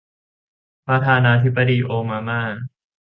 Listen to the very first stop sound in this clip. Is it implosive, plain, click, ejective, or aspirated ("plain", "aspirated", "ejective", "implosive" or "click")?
plain